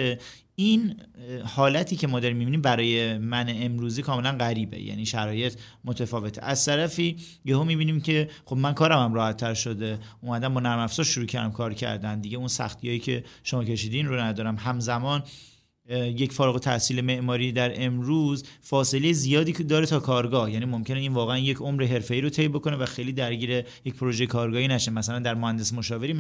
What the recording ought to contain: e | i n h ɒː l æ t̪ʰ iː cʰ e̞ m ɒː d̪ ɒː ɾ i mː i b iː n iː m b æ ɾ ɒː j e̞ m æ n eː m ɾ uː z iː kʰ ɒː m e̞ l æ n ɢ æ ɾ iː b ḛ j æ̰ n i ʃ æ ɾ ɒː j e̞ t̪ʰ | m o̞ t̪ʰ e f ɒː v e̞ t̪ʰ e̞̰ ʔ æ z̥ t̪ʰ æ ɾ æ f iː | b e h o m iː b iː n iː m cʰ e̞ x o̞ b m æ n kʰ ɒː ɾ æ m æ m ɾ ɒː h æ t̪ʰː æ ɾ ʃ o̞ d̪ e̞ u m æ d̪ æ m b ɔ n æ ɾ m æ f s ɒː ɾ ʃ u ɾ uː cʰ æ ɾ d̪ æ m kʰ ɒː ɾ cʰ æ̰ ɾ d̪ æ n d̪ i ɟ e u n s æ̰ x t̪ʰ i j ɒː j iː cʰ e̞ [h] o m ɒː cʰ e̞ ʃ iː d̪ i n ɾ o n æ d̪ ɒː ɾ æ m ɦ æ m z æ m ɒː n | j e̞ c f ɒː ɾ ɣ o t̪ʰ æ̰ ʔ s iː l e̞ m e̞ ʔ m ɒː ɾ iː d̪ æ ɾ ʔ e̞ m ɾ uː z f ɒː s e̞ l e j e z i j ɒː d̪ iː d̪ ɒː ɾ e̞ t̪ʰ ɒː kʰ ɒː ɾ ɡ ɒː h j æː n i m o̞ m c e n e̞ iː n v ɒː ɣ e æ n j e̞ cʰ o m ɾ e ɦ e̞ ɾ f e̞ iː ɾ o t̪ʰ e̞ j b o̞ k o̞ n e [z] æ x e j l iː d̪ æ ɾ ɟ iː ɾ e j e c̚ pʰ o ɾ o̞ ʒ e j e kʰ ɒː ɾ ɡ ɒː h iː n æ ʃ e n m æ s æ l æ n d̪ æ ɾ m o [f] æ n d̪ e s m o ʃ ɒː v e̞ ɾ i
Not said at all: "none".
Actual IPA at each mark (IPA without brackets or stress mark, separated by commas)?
ʃ, v, h